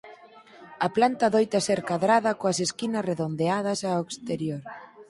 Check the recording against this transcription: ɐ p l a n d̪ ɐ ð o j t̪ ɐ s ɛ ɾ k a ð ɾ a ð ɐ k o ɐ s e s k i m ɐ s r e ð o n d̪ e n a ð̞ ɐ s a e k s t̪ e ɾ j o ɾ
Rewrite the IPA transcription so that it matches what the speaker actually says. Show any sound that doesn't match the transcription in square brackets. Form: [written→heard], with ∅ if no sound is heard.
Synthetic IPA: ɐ p l a n [d̪→t̪] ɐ ð o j t̪ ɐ s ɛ ɾ k a ð ɾ a ð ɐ k o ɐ s e s k i [m→n] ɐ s r e ð o n d̪ e [n→∅] a ð̞ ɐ s a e k s t̪ e ɾ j o ɾ

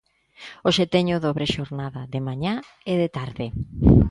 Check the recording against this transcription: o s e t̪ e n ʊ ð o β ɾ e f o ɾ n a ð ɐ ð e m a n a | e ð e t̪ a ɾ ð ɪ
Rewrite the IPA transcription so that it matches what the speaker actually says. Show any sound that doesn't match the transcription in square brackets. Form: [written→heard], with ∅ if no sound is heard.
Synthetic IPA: o [s→ʃ] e t̪ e [n→ɲ] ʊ ð o β ɾ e [f→ʃ] o ɾ n a ð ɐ ð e m a [n→ɲ] a | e ð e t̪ a ɾ ð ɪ

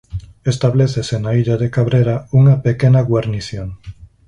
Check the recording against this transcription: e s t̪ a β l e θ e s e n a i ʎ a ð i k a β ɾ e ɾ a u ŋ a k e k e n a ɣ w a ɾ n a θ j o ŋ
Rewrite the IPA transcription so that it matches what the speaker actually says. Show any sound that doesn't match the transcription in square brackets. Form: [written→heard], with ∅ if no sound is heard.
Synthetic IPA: e s t̪ a β l e θ e s e n a i ʎ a ð [i→e] k a β ɾ e ɾ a u ŋ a [k→p] e k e n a ɣ w a ɾ n [a→i] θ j o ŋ

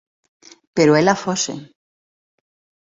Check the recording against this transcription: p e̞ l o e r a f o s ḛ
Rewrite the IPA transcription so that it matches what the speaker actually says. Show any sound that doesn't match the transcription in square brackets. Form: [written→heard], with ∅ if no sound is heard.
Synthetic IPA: p e̞ [l→ɾ] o e [r→l] a f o s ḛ

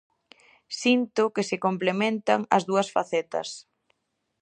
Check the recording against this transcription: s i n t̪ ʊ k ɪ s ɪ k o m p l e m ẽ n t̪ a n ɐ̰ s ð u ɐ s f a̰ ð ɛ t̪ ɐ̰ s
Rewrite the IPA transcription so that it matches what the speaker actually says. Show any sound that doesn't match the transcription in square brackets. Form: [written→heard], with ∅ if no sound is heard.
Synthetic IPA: s i n t̪ ʊ k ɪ s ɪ k o m p l e m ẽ n t̪ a [n→ŋ] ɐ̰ [s→z] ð u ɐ s f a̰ [ð→θ] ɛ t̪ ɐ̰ s

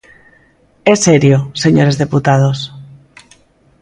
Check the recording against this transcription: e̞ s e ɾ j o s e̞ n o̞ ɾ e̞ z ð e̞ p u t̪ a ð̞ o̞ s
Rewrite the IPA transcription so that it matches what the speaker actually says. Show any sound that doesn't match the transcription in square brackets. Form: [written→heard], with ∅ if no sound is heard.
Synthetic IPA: e̞ s e ɾ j o s e̞ [n→ɲ] o̞ ɾ e̞ z ð e̞ p u t̪ a ð̞ o̞ s

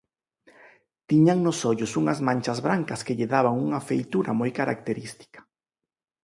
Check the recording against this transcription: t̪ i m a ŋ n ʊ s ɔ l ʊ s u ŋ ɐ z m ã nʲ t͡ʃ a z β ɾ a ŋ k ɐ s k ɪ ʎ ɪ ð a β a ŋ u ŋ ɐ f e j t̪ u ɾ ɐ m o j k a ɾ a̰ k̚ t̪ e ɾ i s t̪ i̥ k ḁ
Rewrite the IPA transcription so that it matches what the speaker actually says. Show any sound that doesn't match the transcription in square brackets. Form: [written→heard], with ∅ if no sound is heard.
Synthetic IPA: t̪ i [m→ɲ] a ŋ n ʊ s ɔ [l→ʎ] ʊ s u ŋ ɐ z m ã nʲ t͡ʃ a z β ɾ a ŋ k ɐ s k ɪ ʎ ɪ ð a β a ŋ u ŋ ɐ f e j t̪ u ɾ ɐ m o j k a ɾ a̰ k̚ t̪ e ɾ i s t̪ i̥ k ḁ

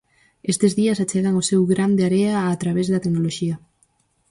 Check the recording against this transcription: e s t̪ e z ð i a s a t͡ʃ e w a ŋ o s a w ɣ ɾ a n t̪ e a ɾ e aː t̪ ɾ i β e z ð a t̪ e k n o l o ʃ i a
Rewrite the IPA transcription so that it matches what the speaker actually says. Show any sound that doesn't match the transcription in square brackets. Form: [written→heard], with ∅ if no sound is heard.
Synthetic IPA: e s t̪ e z ð i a s a t͡ʃ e [w→ɣ] a ŋ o s [a→e] w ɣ ɾ a n [t̪→d̪] e a ɾ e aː t̪ ɾ [i→a] β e z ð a t̪ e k n o l o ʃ i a

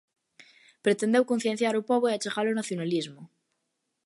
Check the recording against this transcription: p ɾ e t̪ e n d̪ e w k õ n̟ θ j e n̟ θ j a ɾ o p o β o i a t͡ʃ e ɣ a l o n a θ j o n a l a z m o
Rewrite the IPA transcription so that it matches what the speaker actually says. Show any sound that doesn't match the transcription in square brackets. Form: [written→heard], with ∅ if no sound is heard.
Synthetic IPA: p ɾ e t̪ e n d̪ e w k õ n̟ θ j e n̟ θ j a ɾ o p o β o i a t͡ʃ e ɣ a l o n a θ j o n a l [a→i] z m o

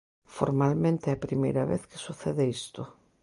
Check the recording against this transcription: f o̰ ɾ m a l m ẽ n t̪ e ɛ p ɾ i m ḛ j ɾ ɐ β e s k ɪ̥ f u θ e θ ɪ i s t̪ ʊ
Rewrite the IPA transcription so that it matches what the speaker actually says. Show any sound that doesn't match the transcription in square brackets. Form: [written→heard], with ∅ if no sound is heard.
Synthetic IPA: f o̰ ɾ m a l m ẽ n t̪ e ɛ p ɾ i m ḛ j ɾ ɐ β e [s→θ] k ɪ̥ [f→s] u θ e [θ→ð] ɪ i s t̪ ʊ

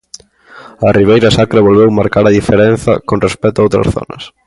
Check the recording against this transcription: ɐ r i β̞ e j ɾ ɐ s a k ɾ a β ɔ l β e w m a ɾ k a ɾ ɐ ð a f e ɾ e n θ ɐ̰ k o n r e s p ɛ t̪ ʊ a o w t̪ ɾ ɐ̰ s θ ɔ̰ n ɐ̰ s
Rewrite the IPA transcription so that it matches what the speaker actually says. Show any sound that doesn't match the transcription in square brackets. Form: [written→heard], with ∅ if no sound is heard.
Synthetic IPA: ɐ r i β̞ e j ɾ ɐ s a k ɾ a β [ɔ→o] l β e w m a ɾ k a ɾ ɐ ð [a→i] f e ɾ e n θ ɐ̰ k o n r e s p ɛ t̪ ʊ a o w t̪ ɾ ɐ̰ s θ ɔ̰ n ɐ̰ s

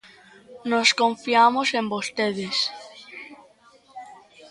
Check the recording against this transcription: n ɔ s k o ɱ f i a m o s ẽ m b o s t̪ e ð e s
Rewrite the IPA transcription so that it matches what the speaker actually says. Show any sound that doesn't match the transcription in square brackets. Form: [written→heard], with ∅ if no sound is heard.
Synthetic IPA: n [ɔ→o] s k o ɱ f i a m o s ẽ m b o s t̪ e ð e s

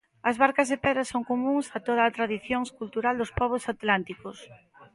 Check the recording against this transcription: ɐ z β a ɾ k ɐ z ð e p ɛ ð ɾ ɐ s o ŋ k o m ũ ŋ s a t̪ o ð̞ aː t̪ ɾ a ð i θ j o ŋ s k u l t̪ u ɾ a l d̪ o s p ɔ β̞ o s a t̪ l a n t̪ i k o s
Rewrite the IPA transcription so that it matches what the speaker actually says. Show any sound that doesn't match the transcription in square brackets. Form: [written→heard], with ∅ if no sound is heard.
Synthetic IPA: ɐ z β a ɾ k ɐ z ð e p ɛ ð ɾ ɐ s o ŋ k o m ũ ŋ s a t̪ o ð̞ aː t̪ ɾ a ð i θ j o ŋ s k u l t̪ u ɾ a l d̪ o s p ɔ β̞ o s a t̪ l a n t̪ i k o s

